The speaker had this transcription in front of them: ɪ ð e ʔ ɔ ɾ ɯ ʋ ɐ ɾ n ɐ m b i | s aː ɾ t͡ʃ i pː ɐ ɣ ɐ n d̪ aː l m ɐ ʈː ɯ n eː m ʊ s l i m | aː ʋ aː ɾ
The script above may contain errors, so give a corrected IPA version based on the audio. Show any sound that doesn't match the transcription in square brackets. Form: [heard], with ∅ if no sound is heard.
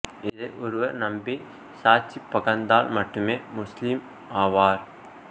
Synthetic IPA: ɪ ð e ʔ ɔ ɾ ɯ ʋ ɐ ɾ n ɐ m b i | s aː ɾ t͡ʃ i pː ɐ ɣ ɐ n d̪ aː l m ɐ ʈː ɯ [m] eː m ʊ s l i m | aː ʋ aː ɾ

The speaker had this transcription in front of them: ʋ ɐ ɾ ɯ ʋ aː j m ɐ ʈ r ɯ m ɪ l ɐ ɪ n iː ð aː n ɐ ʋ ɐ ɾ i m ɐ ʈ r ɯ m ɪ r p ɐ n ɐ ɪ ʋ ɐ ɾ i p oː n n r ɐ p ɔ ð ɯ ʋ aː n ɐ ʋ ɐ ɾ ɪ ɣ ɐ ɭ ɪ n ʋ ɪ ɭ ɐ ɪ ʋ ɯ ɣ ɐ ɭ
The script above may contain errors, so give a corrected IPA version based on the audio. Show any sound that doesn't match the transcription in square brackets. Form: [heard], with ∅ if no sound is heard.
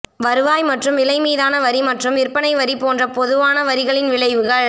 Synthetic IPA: ʋ ɐ ɾ ɯ ʋ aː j m ɐ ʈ r ɯ m ɪ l ɐ ɪ [m] iː ð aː n ɐ ʋ ɐ ɾ i m ɐ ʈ r ɯ m ɪ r p ɐ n ɐ ɪ ʋ ɐ ɾ i p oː n [d] r ɐ p ɔ ð ɯ ʋ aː n ɐ ʋ ɐ ɾ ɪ ɣ ɐ ɭ ɪ n ʋ ɪ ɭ ɐ ɪ ʋ ɯ ɣ ɐ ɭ

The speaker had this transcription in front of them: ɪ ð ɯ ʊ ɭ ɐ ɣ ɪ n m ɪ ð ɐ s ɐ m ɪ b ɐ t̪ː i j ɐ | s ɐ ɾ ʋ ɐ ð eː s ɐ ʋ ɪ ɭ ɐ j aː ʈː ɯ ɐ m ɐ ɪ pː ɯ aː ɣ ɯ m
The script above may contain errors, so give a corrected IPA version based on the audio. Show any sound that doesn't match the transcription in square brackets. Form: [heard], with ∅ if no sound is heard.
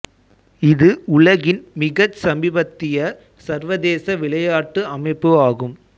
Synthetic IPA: ɪ ð ɯ ʊ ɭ ɐ ɣ ɪ n m ɪ [ɣ] ɐ s ɐ m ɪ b ɐ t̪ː [ɪ] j ɐ | s ɐ ɾ ʋ ɐ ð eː s ɐ ʋ ɪ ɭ ɐ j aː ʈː ɯ ɐ m ɐ ɪ pː ɯ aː ɣ ɯ m

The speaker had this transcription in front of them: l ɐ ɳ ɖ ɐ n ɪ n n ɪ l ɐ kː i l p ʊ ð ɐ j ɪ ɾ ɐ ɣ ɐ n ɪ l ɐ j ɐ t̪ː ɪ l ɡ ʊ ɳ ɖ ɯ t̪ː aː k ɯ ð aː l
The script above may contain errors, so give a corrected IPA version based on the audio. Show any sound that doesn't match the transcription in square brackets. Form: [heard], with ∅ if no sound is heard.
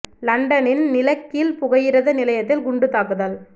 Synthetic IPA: l ɐ ɳ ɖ ɐ n ɪ n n ɪ l ɐ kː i l p ʊ [ɣ] ɐ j ɪ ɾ ɐ [ð] ɐ n ɪ l ɐ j ɐ t̪ː ɪ l ɡ ʊ ɳ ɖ ɯ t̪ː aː k ɯ ð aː l

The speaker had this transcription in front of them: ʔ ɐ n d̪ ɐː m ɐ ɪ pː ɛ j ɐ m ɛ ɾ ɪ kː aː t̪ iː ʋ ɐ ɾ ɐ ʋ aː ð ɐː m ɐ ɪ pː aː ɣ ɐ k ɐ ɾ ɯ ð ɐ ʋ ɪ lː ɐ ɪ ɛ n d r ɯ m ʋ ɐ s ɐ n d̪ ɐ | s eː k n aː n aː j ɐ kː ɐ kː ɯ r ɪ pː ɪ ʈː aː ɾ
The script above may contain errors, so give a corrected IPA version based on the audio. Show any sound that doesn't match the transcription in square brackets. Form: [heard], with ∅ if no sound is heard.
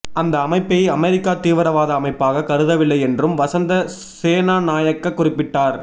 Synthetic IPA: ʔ ɐ n d̪ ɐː m ɐ ɪ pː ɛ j ɐ m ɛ ɾ ɪ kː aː t̪ iː ʋ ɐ ɾ ɐ ʋ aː ð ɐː m ɐ ɪ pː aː ɣ ɐ k ɐ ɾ ɯ ð ɐ ʋ ɪ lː ɐ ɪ ɛ n d r ɯ m ʋ ɐ s ɐ n d̪ ɐ | s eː [∅] n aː n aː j ɐ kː ɐ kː [ʊ] r ɪ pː ɪ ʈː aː ɾ

